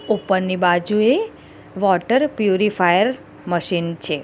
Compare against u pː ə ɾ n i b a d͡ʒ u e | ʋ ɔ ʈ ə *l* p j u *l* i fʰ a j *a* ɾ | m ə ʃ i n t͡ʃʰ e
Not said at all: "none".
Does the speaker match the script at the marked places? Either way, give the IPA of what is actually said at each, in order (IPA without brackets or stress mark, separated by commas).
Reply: ɾ, ɾ, ə